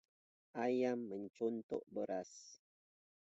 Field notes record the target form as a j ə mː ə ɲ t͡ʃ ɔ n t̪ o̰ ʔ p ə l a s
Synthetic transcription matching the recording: a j a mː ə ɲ t͡ʃ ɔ n t̪ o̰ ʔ b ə ɾ a s